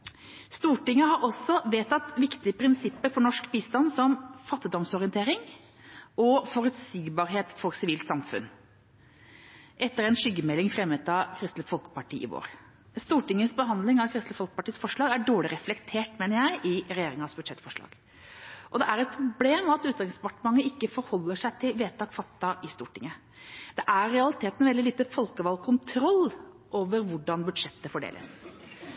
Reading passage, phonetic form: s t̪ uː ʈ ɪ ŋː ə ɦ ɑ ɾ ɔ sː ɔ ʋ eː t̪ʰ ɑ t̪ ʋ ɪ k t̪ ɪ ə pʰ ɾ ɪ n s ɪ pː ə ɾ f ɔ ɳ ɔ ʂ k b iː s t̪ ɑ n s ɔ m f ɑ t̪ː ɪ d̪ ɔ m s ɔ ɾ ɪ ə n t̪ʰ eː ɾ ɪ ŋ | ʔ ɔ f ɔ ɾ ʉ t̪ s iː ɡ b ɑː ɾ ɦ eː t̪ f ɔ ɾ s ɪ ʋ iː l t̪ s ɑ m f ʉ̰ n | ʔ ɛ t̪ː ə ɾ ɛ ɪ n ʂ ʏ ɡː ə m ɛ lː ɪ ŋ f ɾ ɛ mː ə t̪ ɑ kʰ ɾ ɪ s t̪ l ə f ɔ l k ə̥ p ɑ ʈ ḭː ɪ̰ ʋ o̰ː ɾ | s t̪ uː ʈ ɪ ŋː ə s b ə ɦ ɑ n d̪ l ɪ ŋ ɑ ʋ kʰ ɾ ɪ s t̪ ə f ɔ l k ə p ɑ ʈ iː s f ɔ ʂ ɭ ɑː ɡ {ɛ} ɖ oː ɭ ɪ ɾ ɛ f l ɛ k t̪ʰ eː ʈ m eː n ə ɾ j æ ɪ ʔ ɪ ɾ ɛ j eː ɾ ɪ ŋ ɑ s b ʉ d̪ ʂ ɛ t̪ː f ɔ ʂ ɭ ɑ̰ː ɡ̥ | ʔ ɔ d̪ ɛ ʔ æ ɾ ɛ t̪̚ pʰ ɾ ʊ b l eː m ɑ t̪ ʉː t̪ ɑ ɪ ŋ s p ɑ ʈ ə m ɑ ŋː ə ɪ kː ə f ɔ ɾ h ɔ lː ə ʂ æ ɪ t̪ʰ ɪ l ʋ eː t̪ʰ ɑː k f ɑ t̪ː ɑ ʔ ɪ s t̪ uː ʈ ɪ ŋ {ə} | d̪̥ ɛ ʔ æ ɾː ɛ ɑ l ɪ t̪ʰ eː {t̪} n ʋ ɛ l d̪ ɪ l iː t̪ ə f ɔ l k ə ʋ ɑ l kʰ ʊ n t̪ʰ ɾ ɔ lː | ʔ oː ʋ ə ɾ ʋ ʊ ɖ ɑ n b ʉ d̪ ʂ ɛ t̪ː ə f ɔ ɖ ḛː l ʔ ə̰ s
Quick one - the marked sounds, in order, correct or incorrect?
incorrect, correct, correct

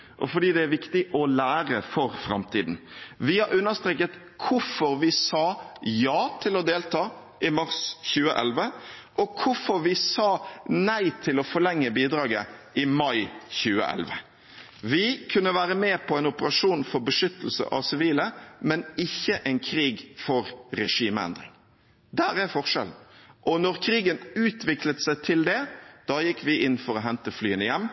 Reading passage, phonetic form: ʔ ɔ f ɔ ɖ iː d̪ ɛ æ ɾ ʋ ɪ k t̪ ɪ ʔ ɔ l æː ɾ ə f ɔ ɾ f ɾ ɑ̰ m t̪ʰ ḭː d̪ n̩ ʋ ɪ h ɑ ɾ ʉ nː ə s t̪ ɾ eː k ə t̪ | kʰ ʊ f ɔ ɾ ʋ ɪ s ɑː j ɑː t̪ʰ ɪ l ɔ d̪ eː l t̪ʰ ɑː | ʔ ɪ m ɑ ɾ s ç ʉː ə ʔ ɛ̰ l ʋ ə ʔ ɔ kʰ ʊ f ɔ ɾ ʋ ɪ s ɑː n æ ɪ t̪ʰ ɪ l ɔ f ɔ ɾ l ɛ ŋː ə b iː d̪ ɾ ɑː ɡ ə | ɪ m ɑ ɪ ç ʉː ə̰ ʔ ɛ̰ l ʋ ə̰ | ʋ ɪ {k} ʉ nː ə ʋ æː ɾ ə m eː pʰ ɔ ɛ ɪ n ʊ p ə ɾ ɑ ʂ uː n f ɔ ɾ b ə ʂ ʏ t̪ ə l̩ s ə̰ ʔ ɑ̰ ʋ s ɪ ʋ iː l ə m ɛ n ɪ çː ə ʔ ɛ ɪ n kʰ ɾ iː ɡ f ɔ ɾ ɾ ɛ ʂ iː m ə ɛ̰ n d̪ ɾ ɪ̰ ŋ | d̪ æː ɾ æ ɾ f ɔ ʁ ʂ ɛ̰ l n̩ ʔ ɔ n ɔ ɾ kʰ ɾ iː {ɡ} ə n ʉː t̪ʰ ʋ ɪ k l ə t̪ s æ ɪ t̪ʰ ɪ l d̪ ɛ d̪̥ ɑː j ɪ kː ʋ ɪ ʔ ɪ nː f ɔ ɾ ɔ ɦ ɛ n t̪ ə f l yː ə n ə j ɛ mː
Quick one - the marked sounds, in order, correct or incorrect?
incorrect, correct

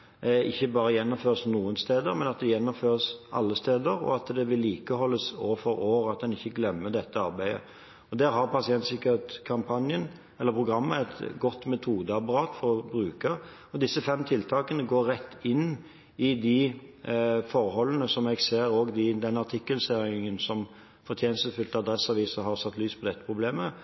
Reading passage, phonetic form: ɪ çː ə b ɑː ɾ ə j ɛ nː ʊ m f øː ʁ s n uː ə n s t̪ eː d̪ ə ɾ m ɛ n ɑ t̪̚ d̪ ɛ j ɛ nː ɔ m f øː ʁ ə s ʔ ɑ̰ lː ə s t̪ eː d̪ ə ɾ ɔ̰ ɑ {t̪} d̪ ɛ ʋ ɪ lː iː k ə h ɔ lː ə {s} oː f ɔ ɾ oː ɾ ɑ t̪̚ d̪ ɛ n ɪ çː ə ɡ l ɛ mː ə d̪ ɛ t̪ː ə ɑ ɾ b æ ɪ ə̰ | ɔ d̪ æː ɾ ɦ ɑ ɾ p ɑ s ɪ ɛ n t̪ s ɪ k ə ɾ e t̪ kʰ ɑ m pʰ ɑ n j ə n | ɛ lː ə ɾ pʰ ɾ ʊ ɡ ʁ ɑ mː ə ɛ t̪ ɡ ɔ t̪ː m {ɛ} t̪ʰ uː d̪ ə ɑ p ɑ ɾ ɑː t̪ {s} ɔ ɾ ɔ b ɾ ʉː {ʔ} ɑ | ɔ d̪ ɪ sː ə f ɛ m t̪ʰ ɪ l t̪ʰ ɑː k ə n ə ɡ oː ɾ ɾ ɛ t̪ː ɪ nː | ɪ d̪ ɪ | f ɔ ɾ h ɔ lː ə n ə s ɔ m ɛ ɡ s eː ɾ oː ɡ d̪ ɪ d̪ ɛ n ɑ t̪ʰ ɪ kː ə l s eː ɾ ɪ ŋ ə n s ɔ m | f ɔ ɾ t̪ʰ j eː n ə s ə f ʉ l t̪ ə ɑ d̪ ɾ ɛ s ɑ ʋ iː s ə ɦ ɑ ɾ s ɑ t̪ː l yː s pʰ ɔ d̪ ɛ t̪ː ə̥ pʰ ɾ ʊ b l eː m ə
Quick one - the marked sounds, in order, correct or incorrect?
correct, correct, correct, incorrect, incorrect

